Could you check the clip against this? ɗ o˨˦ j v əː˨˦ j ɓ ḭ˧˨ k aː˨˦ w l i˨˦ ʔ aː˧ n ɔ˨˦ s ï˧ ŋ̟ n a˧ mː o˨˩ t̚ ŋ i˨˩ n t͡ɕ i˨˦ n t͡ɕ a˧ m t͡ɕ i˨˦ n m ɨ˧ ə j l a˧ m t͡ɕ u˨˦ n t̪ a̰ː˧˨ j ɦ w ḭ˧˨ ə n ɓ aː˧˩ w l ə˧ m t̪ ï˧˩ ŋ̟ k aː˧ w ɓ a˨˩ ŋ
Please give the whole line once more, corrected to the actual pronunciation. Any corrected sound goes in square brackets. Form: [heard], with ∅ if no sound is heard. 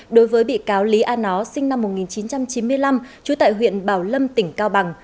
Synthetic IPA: ɗ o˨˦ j v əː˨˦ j ɓ ḭ˧˨ k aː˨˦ w l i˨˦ ʔ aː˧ n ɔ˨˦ s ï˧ ŋ̟ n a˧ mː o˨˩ t̚ ŋ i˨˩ n t͡ɕ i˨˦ n t͡ɕ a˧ m t͡ɕ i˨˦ n m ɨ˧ ə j l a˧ m t͡ɕ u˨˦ [∅] t̪ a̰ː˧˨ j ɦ w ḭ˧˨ ə n ɓ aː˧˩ w l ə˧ m t̪ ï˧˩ ŋ̟ k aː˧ w ɓ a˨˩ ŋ